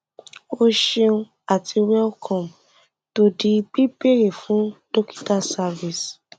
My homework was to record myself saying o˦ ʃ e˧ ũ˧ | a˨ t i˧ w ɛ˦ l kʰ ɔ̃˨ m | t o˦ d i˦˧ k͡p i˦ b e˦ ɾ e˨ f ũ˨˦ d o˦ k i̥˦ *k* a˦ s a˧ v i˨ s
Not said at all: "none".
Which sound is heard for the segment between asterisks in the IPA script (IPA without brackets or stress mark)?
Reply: t